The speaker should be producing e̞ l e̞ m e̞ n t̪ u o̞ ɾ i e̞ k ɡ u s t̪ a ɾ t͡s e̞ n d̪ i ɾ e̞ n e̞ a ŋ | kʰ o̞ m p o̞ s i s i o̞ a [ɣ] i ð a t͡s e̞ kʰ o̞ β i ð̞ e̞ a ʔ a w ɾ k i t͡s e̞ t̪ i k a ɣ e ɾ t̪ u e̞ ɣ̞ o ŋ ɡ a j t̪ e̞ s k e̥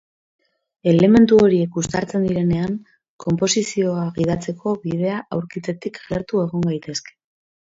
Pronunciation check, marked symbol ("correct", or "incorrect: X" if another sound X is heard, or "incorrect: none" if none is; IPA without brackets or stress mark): correct